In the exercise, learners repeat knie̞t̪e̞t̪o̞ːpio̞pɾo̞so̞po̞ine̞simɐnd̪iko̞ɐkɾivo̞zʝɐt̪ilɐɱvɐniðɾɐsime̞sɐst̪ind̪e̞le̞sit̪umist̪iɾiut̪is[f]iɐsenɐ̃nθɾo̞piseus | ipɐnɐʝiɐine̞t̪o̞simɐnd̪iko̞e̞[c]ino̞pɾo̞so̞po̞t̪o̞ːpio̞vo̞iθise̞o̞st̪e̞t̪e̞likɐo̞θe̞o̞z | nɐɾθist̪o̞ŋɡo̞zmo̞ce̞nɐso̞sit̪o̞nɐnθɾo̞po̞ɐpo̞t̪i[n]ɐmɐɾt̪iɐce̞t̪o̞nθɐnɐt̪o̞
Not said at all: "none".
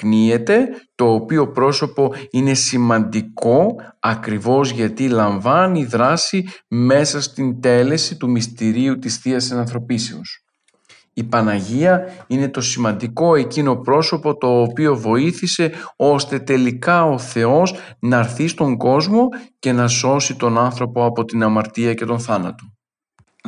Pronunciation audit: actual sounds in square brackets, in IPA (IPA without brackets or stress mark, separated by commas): θ, c, n